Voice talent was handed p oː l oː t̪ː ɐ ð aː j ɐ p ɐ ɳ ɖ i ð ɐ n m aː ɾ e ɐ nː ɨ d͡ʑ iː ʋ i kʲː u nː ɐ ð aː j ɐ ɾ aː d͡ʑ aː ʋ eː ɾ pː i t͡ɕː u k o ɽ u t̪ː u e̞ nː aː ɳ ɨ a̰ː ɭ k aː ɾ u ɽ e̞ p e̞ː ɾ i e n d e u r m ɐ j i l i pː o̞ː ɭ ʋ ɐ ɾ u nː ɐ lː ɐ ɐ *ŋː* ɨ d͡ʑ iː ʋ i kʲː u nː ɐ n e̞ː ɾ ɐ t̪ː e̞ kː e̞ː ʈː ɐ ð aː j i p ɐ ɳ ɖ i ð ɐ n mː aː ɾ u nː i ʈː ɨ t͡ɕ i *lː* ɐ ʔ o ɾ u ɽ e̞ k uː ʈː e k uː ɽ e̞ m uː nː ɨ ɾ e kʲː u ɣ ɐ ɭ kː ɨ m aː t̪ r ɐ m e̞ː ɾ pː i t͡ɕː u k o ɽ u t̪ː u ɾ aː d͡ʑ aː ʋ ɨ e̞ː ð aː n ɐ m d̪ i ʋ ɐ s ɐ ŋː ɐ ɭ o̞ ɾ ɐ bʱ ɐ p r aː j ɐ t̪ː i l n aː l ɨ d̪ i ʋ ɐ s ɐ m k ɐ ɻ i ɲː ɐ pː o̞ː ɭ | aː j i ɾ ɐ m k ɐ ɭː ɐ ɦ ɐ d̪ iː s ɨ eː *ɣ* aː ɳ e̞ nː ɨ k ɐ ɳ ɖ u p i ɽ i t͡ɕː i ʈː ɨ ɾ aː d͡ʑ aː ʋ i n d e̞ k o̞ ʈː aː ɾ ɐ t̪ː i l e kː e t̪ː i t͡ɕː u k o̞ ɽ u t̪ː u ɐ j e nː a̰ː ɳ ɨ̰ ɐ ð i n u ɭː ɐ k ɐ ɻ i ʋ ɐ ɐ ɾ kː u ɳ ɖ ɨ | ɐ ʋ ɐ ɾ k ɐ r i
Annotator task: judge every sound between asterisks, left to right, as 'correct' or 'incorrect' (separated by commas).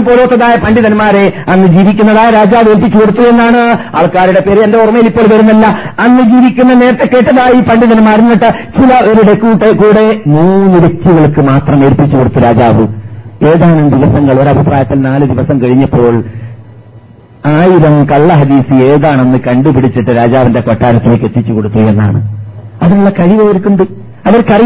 incorrect, incorrect, incorrect